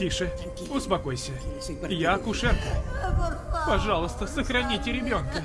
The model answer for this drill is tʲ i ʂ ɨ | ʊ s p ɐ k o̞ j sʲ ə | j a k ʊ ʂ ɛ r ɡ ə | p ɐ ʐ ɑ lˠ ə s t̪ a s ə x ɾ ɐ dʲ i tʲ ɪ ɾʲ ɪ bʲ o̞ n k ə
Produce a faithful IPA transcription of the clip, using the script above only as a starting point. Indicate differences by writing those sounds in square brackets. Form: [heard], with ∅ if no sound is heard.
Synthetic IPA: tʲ i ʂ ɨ | ʊ s p ɐ k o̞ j sʲ ə | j a k ʊ ʂ ɛ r [k] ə | p ɐ ʐ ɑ lˠ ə s t̪ [ə] s ə x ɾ ɐ [nʲ] i tʲ ɪ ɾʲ ɪ bʲ o̞ n k ə